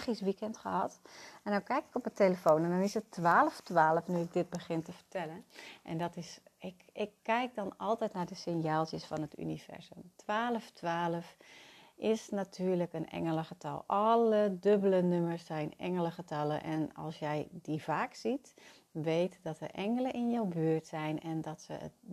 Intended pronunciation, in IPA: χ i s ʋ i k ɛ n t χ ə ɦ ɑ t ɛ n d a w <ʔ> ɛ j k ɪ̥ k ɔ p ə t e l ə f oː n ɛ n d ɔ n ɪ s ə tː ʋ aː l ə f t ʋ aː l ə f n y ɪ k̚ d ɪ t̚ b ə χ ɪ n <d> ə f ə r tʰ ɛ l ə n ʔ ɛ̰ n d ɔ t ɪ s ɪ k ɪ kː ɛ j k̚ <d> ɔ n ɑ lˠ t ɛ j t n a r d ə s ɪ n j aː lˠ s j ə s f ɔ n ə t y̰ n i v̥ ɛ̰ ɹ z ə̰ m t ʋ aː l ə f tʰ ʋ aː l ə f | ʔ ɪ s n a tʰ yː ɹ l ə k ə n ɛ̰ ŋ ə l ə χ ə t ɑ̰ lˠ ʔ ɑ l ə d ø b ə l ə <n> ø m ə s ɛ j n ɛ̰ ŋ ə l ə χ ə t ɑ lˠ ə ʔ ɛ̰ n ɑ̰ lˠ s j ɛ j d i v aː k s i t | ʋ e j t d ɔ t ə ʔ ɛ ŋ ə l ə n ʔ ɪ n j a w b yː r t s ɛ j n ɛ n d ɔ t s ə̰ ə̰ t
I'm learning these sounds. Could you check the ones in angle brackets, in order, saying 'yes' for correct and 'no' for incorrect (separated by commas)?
no, no, yes, yes